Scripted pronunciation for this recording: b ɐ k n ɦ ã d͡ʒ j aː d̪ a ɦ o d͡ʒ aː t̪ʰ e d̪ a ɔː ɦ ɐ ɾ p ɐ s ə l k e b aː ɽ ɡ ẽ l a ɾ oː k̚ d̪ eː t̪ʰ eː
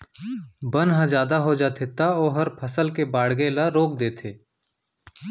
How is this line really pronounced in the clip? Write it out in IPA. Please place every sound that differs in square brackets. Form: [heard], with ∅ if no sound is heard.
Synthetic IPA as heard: b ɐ [∅] n ɦ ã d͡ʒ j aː d̪ a ɦ o d͡ʒ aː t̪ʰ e [t̪] a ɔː ɦ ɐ ɾ [pʰ] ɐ s ə l k e b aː ɽ ɡ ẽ l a ɾ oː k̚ d̪ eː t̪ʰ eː